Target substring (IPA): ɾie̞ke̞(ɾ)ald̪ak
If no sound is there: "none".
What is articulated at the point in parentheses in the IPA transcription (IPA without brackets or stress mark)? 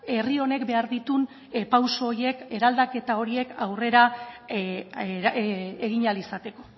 ɾ